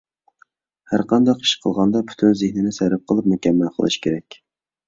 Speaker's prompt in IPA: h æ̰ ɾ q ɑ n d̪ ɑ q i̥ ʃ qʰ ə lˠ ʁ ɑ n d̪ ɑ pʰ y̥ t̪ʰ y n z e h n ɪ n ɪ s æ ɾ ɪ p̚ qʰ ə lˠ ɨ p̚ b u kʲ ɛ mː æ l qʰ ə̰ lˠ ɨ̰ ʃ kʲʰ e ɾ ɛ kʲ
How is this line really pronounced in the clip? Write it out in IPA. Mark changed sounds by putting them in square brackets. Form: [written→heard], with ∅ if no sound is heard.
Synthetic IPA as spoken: h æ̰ ɾ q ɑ n d̪ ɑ q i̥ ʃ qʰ ə lˠ ʁ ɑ n d̪ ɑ pʰ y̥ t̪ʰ y n z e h n ɪ n ɪ s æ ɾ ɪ p̚ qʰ ə lˠ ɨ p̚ [b→m] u kʲ ɛ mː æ l qʰ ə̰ lˠ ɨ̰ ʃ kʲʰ e ɾ ɛ kʲ